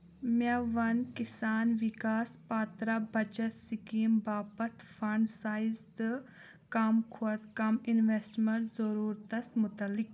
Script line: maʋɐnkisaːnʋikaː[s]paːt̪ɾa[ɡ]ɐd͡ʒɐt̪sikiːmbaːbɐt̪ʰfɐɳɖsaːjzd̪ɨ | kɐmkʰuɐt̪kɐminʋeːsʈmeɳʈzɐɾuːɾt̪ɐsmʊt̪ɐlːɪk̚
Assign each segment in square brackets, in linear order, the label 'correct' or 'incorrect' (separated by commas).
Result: correct, incorrect